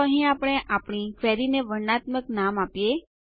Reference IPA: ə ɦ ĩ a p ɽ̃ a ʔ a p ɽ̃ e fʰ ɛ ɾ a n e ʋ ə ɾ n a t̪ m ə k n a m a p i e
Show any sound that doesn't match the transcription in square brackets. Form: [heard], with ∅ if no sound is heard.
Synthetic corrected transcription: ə ɦ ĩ a p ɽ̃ [e] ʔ a p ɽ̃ [i] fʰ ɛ ɾ [i] n e ʋ ə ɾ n a t̪ m ə k n a m a p [j] e